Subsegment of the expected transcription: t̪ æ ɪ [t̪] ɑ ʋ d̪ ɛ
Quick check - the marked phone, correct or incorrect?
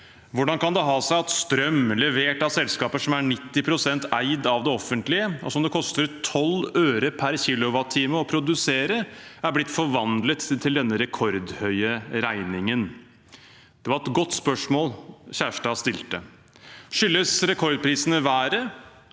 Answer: incorrect